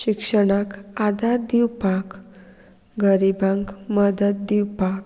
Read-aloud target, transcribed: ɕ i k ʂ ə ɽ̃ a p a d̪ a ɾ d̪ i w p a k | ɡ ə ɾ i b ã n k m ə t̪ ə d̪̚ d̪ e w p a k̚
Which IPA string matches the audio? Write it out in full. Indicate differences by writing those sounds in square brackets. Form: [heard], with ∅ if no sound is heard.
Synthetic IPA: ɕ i k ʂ ə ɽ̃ a [k] a d̪ a ɾ d̪ i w p a k | ɡ ə ɾ i b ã [ŋ] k m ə [d̪] ə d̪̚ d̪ [i] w p a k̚